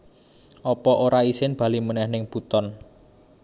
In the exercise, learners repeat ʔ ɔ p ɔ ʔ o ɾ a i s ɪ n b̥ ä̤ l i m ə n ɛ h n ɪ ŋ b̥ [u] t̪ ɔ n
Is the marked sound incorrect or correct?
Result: correct